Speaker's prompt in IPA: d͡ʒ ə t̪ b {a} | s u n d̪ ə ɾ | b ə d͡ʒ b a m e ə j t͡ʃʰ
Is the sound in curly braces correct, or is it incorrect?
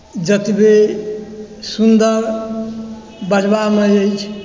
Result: incorrect